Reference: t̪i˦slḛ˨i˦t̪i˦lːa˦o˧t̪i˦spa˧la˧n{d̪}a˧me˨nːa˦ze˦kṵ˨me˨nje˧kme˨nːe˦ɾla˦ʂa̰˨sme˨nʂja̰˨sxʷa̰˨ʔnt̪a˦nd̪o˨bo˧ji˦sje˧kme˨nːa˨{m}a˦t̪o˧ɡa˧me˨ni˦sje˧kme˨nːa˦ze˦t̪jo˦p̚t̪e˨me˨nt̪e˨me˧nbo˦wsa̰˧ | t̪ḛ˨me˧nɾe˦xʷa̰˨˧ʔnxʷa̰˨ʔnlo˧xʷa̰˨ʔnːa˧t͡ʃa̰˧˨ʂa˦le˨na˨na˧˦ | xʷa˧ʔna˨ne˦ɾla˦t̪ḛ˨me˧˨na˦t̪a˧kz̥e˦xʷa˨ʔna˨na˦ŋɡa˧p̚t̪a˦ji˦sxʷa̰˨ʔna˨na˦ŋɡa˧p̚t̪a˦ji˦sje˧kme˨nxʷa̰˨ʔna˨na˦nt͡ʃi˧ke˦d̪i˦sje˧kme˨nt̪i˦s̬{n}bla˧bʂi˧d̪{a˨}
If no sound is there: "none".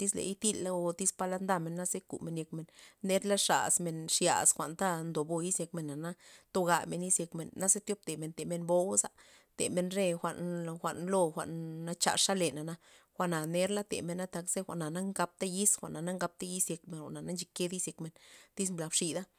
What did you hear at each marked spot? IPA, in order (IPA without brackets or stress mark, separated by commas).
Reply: d̪, n, m, a˦